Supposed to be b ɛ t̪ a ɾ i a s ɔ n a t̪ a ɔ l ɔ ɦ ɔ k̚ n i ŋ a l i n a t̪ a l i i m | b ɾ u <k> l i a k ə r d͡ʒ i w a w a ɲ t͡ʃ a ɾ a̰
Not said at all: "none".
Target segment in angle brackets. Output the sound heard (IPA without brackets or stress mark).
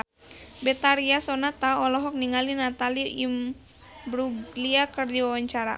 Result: ɡ